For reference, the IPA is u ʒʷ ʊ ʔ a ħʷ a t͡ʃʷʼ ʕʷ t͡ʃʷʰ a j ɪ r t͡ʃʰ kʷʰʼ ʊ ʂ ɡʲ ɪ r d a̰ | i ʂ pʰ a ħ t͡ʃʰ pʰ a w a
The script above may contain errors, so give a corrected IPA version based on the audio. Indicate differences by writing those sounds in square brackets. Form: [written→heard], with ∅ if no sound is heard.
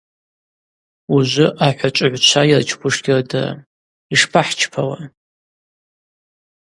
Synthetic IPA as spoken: u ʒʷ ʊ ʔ a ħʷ a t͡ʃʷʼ ʕʷ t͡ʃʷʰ a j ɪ r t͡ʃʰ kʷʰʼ ʊ ʂ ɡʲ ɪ r d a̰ | i ʂ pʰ a ħ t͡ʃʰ pʰ a w a